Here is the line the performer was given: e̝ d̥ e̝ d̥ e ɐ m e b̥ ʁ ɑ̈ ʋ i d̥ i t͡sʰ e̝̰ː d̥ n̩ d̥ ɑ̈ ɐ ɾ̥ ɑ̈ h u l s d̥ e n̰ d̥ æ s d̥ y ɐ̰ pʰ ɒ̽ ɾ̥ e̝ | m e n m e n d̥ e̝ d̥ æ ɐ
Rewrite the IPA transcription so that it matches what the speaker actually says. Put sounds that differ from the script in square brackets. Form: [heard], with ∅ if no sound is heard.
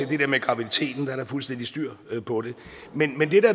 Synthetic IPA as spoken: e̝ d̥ e̝ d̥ e ɐ m e [ɡ̥] ʁ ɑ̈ ʋ i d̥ i t͡sʰ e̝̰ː d̥ n̩ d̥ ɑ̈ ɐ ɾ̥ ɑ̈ [f] u l s d̥ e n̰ d̥ [i] s d̥ y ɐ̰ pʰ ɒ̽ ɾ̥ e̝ | m e n m e n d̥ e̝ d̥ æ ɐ

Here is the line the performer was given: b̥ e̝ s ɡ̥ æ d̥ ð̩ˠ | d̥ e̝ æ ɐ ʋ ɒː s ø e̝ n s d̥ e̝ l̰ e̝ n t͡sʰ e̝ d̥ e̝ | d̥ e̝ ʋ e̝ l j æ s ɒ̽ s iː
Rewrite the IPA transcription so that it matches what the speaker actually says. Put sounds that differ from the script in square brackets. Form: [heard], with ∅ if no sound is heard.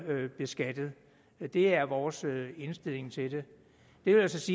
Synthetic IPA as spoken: b̥ e̝ s ɡ̥ æ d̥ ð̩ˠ | d̥ e̝ æ ɐ ʋ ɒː s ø e̝ n s d̥ e̝ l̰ e̝ [ŋ] t͡sʰ e̝ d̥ e̝ | d̥ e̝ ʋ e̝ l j æ s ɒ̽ s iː

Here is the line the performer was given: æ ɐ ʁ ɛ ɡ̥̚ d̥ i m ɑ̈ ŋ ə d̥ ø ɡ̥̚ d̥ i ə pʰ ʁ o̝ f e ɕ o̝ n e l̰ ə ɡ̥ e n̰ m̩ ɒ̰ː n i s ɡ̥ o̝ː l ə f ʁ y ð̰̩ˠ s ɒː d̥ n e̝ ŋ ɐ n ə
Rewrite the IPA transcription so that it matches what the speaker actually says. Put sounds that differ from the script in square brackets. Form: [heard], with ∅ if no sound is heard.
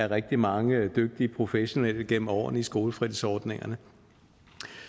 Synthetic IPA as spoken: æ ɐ ʁ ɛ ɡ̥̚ d̥ i m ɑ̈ ŋ ə d̥ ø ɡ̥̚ d̥ i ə pʰ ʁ o̝ f e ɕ o̝ n e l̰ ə ɡ̥ e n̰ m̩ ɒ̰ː n i s ɡ̥ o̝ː l ə f ʁ [i] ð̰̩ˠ s ɒː d̥ n e̝ ŋ ɐ n ə

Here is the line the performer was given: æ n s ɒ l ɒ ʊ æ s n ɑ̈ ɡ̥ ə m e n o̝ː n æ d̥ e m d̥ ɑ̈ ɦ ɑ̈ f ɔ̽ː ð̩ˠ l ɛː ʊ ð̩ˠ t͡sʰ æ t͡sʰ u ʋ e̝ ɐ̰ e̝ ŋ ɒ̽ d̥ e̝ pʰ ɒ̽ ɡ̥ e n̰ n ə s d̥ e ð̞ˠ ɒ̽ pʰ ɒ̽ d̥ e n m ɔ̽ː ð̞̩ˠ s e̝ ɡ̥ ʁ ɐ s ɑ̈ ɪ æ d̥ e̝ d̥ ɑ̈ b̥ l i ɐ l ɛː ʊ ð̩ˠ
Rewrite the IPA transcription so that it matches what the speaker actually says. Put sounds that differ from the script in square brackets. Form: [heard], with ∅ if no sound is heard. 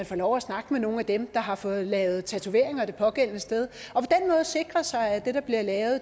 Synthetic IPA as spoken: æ n [f] ɒ l ɒ ʊ æ s n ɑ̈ ɡ̥ ə m e n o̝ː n æ d̥ e m d̥ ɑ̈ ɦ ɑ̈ f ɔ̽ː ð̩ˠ l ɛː ʊ ð̩ˠ t͡sʰ æ t͡sʰ u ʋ e̝ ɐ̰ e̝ ŋ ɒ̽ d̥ e̝ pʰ ɒ̽ ɡ̥ e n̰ n ə s d̥ e ð̞ˠ ɒ̽ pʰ ɒ̽ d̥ e n m ɔ̽ː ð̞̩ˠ s e̝ ɡ̥ ʁ ɐ s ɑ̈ ɪ æ d̥ e̝ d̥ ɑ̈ b̥ l i ɐ l ɛː ʊ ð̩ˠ

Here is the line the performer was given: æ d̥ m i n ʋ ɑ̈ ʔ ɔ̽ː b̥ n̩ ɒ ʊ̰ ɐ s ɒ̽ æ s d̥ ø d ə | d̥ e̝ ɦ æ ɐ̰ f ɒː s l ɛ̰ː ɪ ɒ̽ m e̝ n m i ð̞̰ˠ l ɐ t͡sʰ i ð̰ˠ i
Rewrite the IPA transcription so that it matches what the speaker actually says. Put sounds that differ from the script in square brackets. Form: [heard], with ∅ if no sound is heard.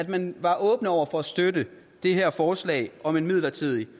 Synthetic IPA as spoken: æ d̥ m [æ] n ʋ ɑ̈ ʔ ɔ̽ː b̥ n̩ ɒ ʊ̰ ɐ [f] ɒ̽ æ s d̥ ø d ə | d̥ e̝ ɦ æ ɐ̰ f ɒː s l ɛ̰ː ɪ ɒ̽ m e̝ n m i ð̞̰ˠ l ɐ t͡sʰ i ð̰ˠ i

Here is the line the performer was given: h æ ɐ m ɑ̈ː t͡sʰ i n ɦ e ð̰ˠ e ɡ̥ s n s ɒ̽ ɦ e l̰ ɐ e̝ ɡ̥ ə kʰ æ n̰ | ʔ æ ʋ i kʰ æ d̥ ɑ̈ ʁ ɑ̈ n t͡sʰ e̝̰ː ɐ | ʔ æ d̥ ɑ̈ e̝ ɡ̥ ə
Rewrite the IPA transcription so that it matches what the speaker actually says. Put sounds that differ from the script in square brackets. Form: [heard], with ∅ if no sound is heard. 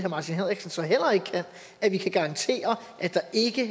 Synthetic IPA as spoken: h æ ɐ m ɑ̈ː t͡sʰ i n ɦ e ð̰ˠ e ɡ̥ s n s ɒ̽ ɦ e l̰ ɐ e̝ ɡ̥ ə kʰ æ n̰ | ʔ æ ʋ i kʰ æ [ɡ̥] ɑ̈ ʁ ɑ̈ n t͡sʰ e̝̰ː ɐ | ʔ æ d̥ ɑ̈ e̝ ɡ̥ ə

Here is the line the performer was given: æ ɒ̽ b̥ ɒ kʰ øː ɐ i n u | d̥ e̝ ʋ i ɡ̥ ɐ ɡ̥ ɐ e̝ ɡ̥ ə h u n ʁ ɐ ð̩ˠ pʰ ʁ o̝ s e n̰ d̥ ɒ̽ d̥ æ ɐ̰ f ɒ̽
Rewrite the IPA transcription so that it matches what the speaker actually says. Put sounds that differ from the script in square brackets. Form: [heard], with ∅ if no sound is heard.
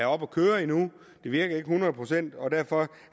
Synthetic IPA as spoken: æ ɒ̽ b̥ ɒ kʰ øː ɐ i n u | d̥ e̝ ʋ i [∅] ɐ ɡ̥ ɐ e̝ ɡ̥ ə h u n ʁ ɐ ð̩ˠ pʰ ʁ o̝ s e n̰ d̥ ɒ̽ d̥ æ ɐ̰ f ɒ̽

